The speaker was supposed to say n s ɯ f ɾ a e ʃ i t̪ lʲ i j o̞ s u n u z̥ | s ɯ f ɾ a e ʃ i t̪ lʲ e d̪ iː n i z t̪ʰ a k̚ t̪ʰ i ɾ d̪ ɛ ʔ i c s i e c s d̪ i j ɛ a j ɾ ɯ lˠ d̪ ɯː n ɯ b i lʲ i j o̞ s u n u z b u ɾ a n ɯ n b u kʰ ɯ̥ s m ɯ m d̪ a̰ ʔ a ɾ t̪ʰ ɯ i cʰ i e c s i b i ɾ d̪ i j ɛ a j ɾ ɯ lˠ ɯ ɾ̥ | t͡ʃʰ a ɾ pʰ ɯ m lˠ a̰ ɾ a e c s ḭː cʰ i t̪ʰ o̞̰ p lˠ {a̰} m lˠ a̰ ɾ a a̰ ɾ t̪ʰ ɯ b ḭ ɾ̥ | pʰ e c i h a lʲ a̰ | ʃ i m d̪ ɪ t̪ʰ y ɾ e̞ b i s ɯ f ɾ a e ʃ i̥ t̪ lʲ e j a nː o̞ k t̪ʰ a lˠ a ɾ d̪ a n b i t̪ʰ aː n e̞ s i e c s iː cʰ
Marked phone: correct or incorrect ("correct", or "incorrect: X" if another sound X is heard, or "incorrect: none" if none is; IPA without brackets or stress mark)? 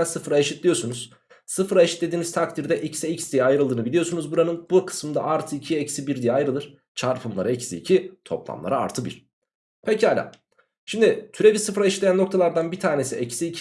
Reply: correct